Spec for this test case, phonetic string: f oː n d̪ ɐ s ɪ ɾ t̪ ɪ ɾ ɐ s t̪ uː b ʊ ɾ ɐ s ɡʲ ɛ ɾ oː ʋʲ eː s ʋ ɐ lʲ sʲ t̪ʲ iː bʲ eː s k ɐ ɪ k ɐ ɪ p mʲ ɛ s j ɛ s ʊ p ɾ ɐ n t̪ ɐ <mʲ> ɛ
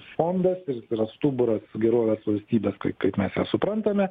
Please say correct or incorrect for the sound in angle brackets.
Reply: correct